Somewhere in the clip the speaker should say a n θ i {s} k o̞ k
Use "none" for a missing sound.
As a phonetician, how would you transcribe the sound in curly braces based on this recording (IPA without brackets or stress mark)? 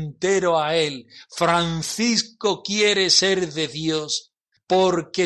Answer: s